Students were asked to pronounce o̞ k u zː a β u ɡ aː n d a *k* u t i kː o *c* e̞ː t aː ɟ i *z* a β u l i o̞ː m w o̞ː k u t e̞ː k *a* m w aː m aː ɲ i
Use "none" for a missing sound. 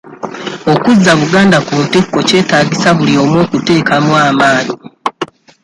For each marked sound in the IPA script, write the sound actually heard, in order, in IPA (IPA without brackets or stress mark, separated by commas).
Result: k, c, s, a